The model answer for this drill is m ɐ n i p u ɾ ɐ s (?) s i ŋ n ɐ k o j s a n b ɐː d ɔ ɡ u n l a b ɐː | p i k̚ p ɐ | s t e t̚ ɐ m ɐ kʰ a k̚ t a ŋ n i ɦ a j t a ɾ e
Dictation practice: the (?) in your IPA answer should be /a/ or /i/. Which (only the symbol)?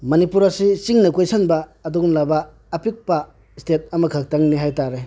i